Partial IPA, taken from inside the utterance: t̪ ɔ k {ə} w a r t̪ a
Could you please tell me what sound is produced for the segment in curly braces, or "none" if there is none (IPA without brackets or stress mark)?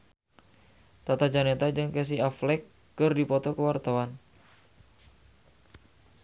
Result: ə